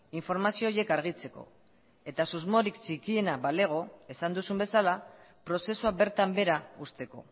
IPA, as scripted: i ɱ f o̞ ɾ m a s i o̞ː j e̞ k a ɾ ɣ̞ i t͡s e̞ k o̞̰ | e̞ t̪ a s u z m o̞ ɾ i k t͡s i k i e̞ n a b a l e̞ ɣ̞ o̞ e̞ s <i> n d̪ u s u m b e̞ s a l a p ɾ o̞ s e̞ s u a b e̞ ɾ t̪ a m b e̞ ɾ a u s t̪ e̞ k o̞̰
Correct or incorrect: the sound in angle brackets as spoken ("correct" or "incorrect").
incorrect